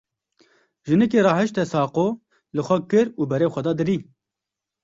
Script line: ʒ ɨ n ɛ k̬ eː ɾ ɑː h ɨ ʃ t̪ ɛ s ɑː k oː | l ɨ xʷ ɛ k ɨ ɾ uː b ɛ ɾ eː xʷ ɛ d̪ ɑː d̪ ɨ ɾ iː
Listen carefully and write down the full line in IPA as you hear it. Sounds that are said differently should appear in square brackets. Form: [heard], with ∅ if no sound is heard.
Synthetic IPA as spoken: ʒ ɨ n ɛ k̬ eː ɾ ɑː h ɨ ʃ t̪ ɛ s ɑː [q] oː | l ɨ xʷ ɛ k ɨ ɾ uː b ɛ ɾ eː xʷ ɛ d̪ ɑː d̪ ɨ ɾ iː